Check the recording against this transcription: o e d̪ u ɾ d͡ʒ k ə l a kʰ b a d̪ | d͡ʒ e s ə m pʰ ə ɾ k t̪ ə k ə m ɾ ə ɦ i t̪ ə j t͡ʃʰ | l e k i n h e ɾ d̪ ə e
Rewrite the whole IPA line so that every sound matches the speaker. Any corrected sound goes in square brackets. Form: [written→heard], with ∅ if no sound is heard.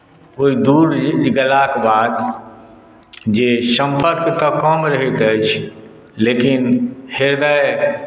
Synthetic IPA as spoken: o [e→i] d̪ u ɾ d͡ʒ [k→ɡ] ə l a [kʰ→k] b a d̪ | d͡ʒ e s ə m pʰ ə ɾ k t̪ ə k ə m ɾ ə ɦ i t̪ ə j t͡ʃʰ | l e k i n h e ɾ d̪ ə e